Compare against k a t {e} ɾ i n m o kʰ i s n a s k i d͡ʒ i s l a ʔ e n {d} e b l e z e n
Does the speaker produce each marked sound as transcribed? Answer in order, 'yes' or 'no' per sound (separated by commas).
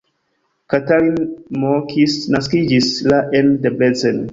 no, yes